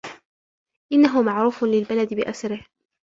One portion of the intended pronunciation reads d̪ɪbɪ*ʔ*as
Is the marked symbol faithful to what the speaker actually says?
yes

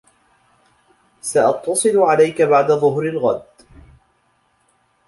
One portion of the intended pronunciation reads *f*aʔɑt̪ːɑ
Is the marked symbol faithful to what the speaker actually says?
no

